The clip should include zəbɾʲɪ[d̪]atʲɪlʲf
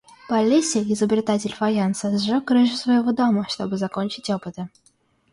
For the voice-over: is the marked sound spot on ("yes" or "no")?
no